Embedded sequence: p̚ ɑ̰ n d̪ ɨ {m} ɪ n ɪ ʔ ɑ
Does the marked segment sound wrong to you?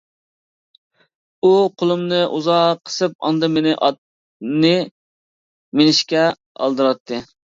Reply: no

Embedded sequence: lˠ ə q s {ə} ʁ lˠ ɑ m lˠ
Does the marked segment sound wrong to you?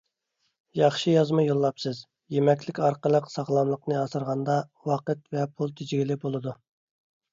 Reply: yes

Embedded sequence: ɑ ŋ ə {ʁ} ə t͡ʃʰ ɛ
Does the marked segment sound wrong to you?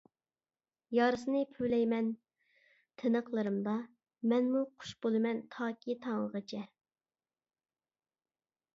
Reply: no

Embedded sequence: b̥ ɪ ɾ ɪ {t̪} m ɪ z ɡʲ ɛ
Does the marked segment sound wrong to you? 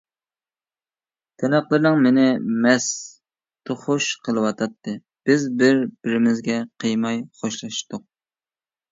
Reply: yes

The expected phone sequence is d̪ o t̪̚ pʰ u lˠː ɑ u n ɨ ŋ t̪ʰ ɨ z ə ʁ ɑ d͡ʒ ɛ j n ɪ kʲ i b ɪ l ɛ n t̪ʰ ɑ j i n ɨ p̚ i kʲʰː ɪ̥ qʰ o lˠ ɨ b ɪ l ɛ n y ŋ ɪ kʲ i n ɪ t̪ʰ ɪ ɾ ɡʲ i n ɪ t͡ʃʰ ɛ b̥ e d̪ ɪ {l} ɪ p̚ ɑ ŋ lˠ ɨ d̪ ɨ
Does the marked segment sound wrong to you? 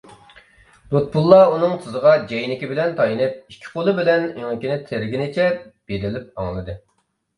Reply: no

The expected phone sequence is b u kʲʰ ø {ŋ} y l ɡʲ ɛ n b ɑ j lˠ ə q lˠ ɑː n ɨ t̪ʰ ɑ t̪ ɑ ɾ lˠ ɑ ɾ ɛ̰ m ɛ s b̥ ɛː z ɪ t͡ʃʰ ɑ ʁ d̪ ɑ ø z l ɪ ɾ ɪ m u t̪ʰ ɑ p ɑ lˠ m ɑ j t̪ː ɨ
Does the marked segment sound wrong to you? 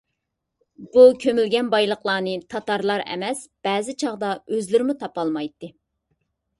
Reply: yes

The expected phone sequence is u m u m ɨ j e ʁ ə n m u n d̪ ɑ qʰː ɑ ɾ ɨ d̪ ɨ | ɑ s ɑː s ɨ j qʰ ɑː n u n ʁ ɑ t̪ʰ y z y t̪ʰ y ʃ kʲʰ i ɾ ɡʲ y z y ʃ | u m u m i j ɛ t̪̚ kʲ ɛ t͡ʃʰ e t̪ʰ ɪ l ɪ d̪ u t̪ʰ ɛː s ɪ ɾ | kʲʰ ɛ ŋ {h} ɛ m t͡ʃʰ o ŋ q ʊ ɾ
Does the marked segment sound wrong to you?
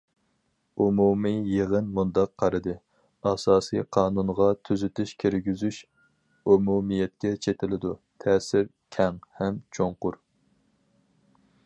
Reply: no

